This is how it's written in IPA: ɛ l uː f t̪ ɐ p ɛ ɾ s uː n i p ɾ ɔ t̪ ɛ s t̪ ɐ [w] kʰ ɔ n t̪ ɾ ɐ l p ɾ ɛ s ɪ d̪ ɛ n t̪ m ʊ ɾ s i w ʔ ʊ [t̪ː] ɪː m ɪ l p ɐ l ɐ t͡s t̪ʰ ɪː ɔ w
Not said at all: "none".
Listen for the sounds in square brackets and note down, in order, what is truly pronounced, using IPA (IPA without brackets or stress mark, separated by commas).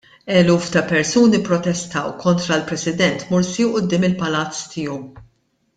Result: w, d̪ː